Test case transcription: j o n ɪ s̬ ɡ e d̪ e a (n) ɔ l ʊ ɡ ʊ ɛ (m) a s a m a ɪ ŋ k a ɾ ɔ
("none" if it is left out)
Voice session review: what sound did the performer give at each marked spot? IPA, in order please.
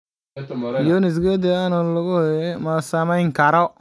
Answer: n, m

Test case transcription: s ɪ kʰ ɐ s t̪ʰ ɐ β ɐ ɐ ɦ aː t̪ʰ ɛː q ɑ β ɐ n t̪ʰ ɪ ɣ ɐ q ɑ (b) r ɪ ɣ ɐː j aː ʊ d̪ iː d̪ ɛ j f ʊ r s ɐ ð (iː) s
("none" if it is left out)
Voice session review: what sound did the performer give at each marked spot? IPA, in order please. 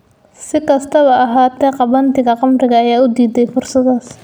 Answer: m, aː

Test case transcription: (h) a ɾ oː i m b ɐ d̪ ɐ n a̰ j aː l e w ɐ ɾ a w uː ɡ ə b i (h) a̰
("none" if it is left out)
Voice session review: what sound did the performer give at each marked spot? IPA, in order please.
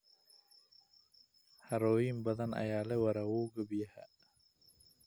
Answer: h, h

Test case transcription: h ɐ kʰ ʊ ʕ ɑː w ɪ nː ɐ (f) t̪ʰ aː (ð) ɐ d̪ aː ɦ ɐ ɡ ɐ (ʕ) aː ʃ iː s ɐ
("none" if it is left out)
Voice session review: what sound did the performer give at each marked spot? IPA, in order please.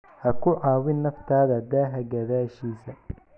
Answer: f, ð, ð

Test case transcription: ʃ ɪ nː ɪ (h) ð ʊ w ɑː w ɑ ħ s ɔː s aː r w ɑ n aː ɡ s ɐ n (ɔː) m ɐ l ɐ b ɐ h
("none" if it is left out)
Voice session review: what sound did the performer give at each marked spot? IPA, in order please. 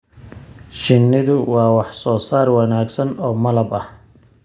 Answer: none, ɔː

